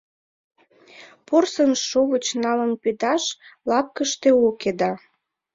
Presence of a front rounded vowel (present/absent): absent